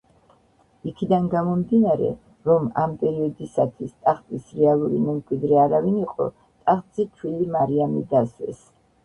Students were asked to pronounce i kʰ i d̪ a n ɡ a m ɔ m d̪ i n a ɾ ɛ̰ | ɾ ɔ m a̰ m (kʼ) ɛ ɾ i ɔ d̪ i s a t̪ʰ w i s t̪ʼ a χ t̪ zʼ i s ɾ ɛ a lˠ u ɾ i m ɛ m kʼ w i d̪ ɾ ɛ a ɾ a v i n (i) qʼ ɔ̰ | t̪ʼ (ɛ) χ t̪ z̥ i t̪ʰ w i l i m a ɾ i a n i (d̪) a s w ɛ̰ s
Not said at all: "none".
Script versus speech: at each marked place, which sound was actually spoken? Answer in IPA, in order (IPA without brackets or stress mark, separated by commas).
pʼ, i, a, d̪